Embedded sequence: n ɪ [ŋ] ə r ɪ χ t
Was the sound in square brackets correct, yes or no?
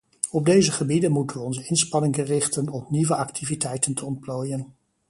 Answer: yes